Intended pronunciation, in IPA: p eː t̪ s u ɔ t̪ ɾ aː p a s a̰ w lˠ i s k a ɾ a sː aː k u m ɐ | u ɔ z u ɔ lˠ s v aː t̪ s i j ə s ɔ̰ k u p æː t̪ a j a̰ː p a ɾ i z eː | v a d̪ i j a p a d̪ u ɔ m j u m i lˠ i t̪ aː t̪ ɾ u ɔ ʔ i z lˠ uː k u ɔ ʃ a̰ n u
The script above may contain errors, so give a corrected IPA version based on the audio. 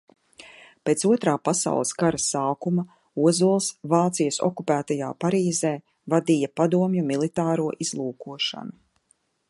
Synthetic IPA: p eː t̪ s u ɔ t̪ ɾ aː p a s a̰ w lˠ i s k a ɾ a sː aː k u m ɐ | u ɔ z u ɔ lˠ s v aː t̪ s i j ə s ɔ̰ k u p æː t̪ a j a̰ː p a ɾ iː z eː | v a d̪ i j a p a d̪ u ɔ m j u m i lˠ i t̪ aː ɾ u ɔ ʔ i z lˠ uː k u ɔ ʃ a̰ n u